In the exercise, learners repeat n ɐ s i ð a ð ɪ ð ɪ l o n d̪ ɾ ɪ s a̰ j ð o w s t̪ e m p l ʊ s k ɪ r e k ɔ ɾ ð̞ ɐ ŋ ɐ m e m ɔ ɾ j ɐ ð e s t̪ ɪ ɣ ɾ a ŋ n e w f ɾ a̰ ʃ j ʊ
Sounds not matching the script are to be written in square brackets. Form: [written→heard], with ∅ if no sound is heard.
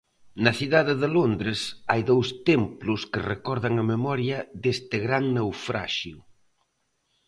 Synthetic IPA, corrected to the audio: n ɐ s i ð a ð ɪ ð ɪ l o n d̪ ɾ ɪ s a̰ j ð o w s t̪ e m p l ʊ s k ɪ r e k ɔ ɾ ð̞ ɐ ŋ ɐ m e m ɔ ɾ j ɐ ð e s t̪ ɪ ɣ ɾ a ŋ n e w f ɾ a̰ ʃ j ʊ